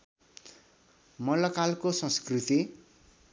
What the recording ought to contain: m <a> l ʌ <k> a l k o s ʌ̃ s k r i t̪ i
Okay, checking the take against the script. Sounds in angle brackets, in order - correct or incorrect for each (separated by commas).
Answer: incorrect, correct